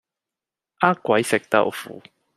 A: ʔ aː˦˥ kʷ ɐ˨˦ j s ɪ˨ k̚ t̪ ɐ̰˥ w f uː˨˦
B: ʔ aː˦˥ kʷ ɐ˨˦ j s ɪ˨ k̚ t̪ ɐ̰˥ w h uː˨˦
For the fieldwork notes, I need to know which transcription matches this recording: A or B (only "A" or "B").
A